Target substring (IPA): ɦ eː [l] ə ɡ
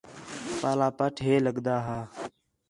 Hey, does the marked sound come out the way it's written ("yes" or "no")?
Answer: yes